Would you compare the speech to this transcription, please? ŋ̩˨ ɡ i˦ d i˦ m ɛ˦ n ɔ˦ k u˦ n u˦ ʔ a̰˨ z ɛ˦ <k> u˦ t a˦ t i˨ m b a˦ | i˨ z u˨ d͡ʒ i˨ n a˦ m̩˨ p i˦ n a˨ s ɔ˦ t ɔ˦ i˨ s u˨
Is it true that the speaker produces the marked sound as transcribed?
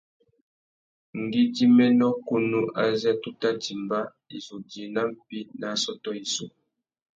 no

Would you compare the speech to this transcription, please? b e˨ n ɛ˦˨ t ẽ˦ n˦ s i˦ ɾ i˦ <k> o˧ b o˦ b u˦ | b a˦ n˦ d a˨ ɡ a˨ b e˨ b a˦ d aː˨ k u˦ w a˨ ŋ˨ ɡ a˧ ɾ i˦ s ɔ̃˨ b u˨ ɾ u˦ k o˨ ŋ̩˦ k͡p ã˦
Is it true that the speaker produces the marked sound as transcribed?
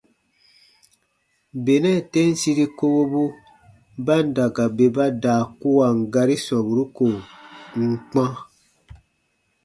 yes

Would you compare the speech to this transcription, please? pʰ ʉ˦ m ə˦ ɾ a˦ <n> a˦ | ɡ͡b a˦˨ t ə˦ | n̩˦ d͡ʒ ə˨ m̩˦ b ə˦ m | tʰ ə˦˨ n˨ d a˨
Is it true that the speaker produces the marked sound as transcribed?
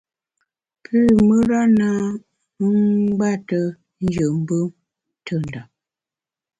yes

